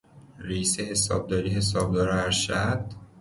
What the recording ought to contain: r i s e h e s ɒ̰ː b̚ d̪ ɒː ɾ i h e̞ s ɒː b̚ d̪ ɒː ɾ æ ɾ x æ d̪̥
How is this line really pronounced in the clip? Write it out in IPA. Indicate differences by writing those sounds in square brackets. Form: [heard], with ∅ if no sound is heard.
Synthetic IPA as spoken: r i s e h e s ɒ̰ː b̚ d̪ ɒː ɾ i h e̞ s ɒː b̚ d̪ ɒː ɾ æ ɾ [ʃ] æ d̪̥